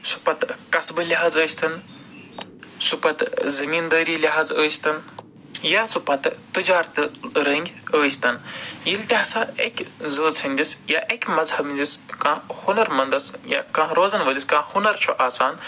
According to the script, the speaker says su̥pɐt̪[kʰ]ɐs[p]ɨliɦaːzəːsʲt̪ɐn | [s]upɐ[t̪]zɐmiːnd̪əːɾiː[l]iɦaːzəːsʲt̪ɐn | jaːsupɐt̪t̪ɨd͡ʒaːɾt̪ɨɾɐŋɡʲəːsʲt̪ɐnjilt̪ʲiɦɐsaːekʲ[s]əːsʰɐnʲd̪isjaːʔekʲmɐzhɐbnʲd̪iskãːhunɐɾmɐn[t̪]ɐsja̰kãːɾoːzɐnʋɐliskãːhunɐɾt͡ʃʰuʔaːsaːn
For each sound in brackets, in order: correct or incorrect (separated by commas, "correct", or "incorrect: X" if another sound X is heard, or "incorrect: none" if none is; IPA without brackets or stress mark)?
incorrect: k, incorrect: b, correct, correct, correct, incorrect: z, incorrect: d̪